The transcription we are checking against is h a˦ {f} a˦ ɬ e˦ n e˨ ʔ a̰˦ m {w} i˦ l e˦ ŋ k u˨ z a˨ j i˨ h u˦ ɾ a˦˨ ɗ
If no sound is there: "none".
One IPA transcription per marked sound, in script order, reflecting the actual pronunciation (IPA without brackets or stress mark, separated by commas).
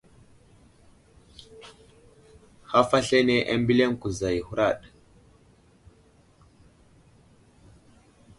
f, b